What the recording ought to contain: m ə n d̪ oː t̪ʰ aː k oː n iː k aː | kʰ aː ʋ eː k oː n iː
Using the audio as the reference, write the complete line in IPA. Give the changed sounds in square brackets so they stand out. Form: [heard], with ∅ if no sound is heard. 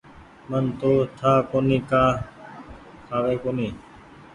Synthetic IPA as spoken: m ə n [t̪] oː t̪ʰ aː k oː n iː k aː | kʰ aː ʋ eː k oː n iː